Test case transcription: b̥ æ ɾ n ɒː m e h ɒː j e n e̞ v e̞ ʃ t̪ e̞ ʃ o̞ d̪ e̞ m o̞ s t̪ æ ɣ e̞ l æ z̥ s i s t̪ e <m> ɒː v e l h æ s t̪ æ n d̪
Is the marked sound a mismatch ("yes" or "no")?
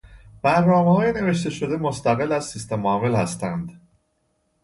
no